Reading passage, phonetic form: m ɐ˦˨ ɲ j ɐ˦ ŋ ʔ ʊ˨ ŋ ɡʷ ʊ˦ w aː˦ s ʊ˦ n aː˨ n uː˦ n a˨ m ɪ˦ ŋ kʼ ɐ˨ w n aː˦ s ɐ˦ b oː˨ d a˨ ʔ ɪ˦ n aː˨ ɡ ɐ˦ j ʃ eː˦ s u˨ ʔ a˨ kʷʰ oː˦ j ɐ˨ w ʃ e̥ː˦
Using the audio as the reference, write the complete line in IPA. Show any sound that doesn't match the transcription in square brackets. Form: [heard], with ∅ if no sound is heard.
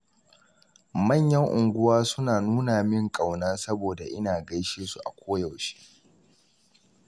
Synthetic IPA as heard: m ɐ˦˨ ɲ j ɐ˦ ŋ ʔ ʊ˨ ŋ ɡʷ ʊ˦ w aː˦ s ʊ˦ n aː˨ n uː˦ n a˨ m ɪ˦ ŋ kʼ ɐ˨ w n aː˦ s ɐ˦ b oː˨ d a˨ ʔ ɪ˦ n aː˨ ɡ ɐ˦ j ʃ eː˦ s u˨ ʔ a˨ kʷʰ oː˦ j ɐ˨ w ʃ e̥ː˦